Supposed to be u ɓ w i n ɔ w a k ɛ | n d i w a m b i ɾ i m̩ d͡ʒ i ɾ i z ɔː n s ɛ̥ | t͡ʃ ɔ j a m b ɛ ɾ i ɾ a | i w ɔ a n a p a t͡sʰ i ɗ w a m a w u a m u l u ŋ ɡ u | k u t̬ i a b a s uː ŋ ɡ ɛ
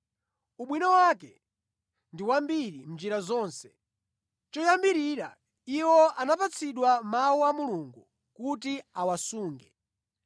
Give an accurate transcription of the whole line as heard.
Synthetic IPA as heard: u ɓ w i n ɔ w a k ɛ | n d i w a m b i ɾ i m̩ d͡ʒ i ɾ a z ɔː n s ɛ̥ | t͡ʃ ɔ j a m b i ɾ i ɾ a | i w ɔ a n a p a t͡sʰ i ɗ w a m a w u a m u l u ŋ ɡ u | k u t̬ i a w a s uː ŋ ɡ ɛ